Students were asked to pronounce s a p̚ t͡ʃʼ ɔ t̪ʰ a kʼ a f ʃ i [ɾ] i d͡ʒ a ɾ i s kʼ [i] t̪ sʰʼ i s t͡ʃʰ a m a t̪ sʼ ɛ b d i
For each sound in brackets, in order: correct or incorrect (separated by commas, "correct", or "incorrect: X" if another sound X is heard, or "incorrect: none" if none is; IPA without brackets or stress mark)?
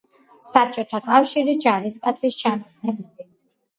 correct, incorrect: a